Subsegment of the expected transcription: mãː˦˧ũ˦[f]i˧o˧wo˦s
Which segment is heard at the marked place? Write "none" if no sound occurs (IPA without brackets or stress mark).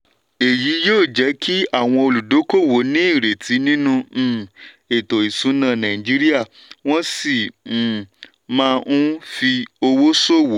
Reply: f